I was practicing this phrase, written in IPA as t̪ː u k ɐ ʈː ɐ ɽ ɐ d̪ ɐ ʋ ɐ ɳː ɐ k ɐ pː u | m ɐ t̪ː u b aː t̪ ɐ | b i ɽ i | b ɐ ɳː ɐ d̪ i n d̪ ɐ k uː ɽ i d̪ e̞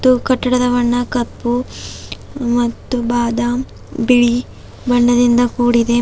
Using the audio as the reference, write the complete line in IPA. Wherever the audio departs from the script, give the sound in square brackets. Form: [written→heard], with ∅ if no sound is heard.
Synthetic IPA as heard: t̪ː u k ɐ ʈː ɐ ɽ ɐ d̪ ɐ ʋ ɐ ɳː ɐ k ɐ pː u | m ɐ t̪ː u b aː [t̪→d̪] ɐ | b i [ɽ→ɭ] i | b ɐ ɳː ɐ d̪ i n d̪ ɐ k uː ɽ i d̪ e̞

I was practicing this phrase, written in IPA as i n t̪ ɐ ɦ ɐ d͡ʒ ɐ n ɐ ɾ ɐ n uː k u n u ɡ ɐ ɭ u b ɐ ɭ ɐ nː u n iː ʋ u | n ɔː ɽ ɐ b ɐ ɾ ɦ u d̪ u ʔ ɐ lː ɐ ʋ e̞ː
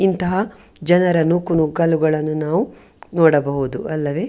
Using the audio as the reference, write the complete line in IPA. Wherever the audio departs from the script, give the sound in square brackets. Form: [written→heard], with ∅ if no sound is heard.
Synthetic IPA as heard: i n t̪ ɐ ɦ ɐ d͡ʒ ɐ n ɐ ɾ ɐ n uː k u n u ɡ ɐ [ɭ→l] u [b→ɡ] ɐ ɭ ɐ nː u n [iː→aː] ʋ u | n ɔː ɽ ɐ b ɐ [ɾ→∅] ɦ u d̪ u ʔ ɐ lː ɐ ʋ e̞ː

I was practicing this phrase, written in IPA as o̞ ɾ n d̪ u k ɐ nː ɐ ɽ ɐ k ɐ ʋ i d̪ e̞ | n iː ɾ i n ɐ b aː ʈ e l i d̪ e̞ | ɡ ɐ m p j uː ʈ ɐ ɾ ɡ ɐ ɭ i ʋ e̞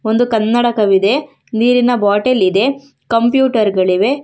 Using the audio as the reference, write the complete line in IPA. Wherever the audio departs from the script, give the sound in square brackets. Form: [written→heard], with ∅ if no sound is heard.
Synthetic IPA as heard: o̞ [ɾ→∅] n d̪ u k ɐ nː ɐ ɽ ɐ k ɐ ʋ i d̪ e̞ | n iː ɾ i n ɐ b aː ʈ e l i d̪ e̞ | [ɡ→k] ɐ m p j uː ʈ ɐ ɾ ɡ ɐ ɭ i ʋ e̞

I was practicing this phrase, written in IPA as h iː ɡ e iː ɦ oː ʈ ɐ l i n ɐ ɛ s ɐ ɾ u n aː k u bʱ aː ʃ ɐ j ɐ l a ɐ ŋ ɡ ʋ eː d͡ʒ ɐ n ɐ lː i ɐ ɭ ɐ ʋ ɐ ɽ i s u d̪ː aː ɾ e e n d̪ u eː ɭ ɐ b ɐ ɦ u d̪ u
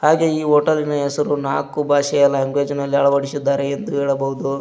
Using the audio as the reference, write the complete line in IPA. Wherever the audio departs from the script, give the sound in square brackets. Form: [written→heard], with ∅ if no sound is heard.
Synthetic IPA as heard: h [iː→aː] ɡ e iː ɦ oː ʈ ɐ l i n ɐ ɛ s ɐ ɾ u n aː k u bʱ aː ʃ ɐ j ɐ l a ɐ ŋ ɡ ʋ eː d͡ʒ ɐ n ɐ lː i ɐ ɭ ɐ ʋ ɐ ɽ i s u d̪ː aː ɾ e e n d̪ u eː ɭ ɐ b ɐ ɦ u d̪ u

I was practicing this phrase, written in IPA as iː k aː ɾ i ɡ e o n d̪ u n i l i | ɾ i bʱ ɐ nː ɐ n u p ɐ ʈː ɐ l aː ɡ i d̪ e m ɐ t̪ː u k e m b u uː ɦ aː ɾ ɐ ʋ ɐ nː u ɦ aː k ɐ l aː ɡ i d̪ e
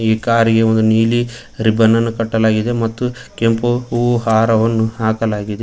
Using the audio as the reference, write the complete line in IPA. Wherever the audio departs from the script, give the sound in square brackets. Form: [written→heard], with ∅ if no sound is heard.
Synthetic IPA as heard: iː k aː ɾ i ɡ e o n d̪ u n [i→iː] l i | ɾ i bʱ ɐ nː ɐ [n→nː] u [p→k] ɐ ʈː ɐ l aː ɡ i d̪ e m ɐ t̪ː u k e m [b→p] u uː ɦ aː ɾ ɐ ʋ ɐ nː u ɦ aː k ɐ l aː ɡ i d̪ e

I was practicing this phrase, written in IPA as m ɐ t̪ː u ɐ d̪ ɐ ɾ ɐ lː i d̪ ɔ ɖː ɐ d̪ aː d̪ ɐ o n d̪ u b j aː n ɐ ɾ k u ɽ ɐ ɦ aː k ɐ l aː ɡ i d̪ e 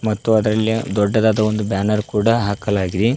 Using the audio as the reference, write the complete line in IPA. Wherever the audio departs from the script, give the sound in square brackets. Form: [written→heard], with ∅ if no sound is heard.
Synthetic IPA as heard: m ɐ t̪ː u ɐ d̪ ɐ ɾ ɐ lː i d̪ ɔ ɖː ɐ d̪ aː d̪ ɐ o n d̪ u b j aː n ɐ ɾ k [u→uː] ɽ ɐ ɦ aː k ɐ l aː ɡ i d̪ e

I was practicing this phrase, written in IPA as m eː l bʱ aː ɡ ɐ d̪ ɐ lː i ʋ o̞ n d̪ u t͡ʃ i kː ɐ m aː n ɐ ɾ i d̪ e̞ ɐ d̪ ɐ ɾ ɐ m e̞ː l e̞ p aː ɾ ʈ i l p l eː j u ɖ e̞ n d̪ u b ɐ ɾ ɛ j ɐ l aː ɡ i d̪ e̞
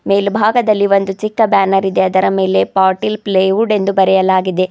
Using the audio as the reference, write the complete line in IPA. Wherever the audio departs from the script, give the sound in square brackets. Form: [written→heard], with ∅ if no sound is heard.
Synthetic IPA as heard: m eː l bʱ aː ɡ ɐ d̪ ɐ lː i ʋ o̞ n d̪ u t͡ʃ i kː ɐ [m→b] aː n ɐ ɾ i d̪ e̞ ɐ d̪ ɐ ɾ ɐ m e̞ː l e̞ p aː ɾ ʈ i l p l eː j u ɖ e̞ n d̪ u b ɐ ɾ ɛ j ɐ l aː ɡ i d̪ e̞

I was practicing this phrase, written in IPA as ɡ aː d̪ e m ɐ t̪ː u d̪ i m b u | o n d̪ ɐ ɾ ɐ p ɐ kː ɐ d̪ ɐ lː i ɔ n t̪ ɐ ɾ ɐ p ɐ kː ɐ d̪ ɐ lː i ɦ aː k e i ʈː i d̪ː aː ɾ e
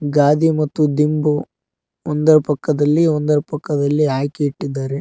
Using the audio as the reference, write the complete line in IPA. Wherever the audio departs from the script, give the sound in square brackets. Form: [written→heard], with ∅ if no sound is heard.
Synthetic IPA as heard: ɡ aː d̪ [e→i] m ɐ t̪ː u d̪ i m b u | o n d̪ ɐ ɾ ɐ p ɐ kː ɐ d̪ ɐ lː i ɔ n [t̪→d̪] ɐ ɾ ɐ p ɐ kː ɐ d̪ ɐ lː i ɦ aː k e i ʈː i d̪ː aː ɾ e

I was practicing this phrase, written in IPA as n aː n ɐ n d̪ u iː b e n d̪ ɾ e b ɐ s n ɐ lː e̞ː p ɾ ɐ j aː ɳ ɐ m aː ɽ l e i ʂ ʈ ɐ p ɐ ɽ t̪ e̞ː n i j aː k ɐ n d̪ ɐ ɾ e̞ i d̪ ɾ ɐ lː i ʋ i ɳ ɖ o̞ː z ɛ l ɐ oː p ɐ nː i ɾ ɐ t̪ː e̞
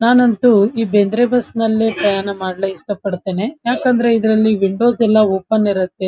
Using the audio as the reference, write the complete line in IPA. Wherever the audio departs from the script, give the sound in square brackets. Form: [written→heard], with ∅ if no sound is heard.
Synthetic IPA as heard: n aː n ɐ n [d̪→t̪] u iː b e n d̪ ɾ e b ɐ s n ɐ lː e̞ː p ɾ ɐ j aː ɳ ɐ m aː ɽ l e i ʂ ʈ ɐ p ɐ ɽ t̪ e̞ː n [i→e] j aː k ɐ n d̪ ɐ ɾ e̞ i d̪ ɾ ɐ lː i ʋ i ɳ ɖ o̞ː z ɛ [l→lː] ɐ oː p ɐ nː i ɾ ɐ t̪ː e̞

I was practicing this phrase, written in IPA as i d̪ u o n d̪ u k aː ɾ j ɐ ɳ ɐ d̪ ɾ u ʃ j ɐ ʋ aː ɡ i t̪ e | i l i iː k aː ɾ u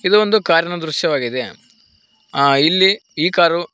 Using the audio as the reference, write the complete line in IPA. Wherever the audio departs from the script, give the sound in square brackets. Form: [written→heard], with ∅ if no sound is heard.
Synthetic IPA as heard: i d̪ u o n d̪ u k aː ɾ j ɐ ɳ ɐ d̪ ɾ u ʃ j ɐ ʋ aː ɡ i [t̪→d̪] e | i [l→lː] i iː k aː ɾ u

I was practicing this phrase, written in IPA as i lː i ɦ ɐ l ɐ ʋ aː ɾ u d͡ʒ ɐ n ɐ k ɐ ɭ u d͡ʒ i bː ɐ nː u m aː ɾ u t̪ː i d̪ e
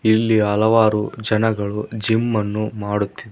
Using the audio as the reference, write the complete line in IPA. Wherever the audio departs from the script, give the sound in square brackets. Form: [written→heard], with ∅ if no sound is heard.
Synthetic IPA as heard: i lː i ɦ ɐ l ɐ ʋ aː ɾ u d͡ʒ ɐ n ɐ [k→ɡ] ɐ ɭ u d͡ʒ i [bː→mː] ɐ nː u m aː [ɾ→ɽ] u t̪ː i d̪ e

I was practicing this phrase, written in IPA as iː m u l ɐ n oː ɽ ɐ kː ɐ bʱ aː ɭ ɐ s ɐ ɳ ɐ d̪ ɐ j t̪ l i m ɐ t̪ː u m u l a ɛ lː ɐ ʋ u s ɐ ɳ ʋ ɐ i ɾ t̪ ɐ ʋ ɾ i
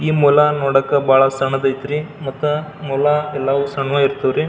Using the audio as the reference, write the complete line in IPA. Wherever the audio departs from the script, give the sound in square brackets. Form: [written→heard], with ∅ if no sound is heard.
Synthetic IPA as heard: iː m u l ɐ n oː ɽ ɐ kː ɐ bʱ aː ɭ ɐ s ɐ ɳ ɐ d̪ ɐ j t̪ [l→ɾ] i m ɐ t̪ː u m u l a ɛ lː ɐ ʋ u s ɐ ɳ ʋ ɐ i ɾ t̪ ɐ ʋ ɾ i

